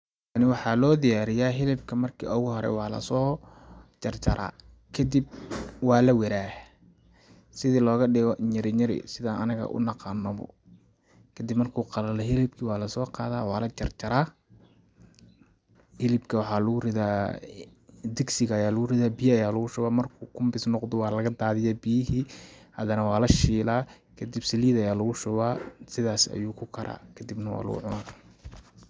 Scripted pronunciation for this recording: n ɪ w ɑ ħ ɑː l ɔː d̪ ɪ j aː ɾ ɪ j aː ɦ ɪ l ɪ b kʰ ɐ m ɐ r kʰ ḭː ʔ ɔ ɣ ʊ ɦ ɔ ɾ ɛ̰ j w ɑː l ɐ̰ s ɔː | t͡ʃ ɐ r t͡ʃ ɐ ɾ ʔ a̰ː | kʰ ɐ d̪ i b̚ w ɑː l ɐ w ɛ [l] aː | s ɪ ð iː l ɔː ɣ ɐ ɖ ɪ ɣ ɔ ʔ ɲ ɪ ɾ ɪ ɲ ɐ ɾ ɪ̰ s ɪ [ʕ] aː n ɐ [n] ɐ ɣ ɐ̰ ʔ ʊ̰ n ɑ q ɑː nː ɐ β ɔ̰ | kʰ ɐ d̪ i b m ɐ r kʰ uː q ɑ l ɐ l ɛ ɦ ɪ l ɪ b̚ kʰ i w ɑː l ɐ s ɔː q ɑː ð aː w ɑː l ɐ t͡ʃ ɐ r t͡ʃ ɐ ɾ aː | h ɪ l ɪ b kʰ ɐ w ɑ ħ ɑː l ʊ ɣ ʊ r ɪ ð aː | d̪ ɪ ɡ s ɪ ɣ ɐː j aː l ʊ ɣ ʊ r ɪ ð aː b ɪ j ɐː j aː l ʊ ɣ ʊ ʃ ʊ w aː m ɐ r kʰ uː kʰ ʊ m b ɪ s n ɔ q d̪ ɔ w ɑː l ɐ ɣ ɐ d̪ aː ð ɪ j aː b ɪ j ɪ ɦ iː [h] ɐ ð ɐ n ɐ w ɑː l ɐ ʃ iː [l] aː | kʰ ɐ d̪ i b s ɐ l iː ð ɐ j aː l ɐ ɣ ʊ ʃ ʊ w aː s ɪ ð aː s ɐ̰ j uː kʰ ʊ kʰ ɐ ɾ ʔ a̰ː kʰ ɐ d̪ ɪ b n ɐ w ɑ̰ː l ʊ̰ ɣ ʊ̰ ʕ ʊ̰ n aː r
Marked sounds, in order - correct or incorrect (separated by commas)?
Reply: incorrect, incorrect, correct, correct, correct